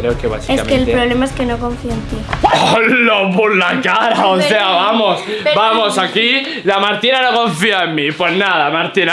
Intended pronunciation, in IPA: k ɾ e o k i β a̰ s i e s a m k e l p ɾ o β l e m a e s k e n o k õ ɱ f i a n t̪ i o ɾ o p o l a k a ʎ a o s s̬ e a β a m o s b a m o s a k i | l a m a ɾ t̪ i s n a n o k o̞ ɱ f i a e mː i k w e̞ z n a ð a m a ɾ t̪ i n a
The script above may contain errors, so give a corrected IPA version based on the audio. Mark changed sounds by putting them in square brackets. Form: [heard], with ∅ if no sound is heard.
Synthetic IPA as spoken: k ɾ e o k [e] β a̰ s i e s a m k e l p ɾ o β l e m a e s k e n o k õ ɱ f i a n t̪ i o [l] o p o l a k a [ɾ] a o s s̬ e a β a m o s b a m o s a k i | l a m a ɾ t̪ i [∅] n a n o k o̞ ɱ f i a e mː i [p] w e̞ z n a ð a m a ɾ t̪ i n a